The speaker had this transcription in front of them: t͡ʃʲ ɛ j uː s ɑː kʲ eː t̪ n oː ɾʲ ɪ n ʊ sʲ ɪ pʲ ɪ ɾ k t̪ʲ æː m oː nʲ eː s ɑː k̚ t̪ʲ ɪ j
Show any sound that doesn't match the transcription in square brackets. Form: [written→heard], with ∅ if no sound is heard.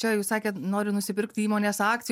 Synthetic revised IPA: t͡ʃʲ ɛ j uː s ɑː kʲ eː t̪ n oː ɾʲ ɪ n ʊ sʲ ɪ pʲ ɪ ɾ k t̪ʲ [æː→iː] m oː nʲ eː s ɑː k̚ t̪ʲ ɪ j